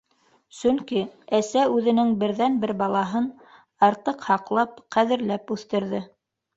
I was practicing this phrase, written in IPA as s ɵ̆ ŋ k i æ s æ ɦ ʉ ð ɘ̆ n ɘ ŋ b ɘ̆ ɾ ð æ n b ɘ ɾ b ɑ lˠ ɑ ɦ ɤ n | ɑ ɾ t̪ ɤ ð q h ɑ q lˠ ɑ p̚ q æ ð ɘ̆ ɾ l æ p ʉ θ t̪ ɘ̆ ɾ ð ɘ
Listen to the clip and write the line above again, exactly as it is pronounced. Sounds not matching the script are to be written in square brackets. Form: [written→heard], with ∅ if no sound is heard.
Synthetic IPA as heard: s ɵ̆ ŋ k i æ s æ [ɦ→∅] ʉ ð ɘ̆ n ɘ ŋ b ɘ̆ ɾ ð æ n b ɘ ɾ b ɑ lˠ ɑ ɦ ɤ n | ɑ ɾ t̪ ɤ [ð→∅] q h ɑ q lˠ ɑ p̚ q æ ð ɘ̆ ɾ l æ p ʉ θ t̪ ɘ̆ ɾ ð ɘ